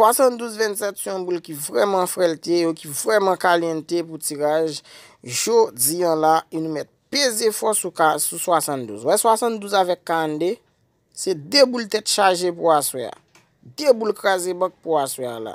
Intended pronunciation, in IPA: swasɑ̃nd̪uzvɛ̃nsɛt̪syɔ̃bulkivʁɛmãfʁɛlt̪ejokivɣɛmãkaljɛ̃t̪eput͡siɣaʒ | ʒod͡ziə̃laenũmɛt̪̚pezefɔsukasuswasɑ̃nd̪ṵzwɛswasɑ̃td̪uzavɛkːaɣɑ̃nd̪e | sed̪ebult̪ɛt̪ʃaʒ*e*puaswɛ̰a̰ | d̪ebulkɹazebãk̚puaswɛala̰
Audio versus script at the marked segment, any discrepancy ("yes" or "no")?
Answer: no